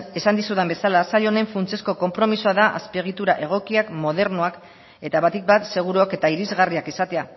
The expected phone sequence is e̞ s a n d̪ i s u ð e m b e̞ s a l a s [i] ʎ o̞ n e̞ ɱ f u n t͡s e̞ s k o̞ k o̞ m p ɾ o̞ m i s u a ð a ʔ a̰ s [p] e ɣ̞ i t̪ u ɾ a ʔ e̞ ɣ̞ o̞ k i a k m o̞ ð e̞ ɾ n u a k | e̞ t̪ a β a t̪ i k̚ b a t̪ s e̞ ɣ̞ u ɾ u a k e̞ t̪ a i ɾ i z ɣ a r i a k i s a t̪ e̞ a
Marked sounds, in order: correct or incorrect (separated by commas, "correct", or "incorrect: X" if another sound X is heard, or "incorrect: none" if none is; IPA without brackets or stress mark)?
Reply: incorrect: a, correct